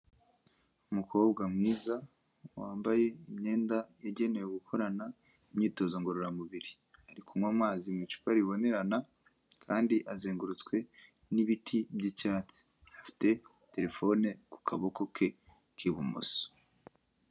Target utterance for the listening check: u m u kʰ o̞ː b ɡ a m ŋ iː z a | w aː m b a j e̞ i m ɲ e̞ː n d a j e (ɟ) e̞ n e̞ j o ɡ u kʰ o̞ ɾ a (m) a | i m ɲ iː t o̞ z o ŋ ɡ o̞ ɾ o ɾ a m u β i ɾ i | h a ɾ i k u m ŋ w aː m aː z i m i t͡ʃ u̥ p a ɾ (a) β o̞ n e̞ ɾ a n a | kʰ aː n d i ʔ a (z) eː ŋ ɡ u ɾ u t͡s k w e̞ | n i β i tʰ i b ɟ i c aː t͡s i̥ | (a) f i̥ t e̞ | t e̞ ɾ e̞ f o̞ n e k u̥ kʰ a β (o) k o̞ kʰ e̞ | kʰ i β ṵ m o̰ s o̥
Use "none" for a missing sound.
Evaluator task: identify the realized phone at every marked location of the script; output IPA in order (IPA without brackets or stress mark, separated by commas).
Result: ɟ, n, i, z, a, o